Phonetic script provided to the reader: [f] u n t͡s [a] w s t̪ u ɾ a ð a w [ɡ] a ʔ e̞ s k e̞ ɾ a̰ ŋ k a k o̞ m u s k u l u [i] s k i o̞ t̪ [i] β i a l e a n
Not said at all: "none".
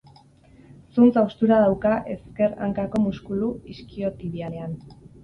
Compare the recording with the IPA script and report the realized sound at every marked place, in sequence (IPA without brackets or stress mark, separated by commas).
s, a, k, i, i